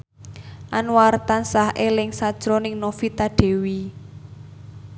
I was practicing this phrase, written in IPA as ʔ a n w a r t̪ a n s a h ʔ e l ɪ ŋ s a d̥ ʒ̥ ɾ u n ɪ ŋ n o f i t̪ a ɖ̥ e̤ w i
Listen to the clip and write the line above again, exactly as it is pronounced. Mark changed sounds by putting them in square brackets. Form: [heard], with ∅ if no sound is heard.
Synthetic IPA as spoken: ʔ a n w a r t̪ a n s a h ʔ e l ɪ ŋ s a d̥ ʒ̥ ɾ [ɔ] n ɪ ŋ n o f i t̪ a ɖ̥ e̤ w i